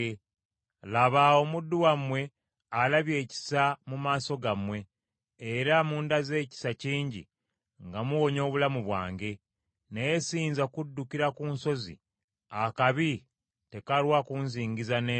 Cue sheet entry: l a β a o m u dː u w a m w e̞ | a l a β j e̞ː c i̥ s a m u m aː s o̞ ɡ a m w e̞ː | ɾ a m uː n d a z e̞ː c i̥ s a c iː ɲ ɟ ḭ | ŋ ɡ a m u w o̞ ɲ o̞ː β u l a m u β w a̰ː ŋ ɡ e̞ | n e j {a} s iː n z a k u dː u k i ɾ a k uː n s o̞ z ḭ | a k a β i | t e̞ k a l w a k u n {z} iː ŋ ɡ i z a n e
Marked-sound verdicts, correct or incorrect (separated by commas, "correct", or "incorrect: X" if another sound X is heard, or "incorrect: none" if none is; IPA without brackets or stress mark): incorrect: e, correct